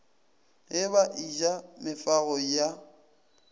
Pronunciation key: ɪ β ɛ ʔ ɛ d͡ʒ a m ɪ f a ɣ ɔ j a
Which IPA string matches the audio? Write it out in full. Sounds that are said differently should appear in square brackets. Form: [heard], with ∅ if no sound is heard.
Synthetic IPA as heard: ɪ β [a] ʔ [i] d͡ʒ a m ɪ f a ɣ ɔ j a